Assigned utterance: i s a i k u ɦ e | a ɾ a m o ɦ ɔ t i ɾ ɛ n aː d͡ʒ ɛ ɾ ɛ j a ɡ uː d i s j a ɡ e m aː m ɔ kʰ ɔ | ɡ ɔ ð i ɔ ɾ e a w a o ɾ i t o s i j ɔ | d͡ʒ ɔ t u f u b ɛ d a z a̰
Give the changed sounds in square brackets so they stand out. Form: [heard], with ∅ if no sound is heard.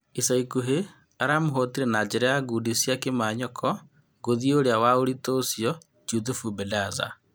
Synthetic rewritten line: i s a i k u ɦ e | a ɾ a m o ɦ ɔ t i ɾ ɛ n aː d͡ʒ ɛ ɾ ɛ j a ɡ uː d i s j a [k] e m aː [ɲ] ɔ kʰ ɔ | ɡ [o] ð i [o] ɾ e a w a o ɾ i t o s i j ɔ | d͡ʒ [u] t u f u b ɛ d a z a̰